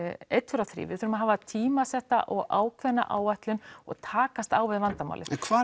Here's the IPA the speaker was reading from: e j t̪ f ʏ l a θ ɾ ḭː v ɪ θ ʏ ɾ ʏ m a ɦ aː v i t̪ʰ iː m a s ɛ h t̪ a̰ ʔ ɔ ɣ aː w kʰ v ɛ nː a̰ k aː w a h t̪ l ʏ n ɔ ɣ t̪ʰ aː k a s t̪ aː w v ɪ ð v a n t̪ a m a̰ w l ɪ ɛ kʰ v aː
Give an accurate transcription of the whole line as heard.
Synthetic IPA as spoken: e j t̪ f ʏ ɾ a θ ɾ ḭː v ɪ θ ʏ ɾ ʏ m a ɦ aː v a t̪ʰ iː m a s ɛ h t̪ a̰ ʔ ɔ ɣ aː w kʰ v ɛ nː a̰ ʔ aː w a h t̪ l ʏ n ɔ ɣ t̪ʰ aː k a s t̪ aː w v ɪ ð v a n t̪ a m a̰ w l ɪ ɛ kʰ v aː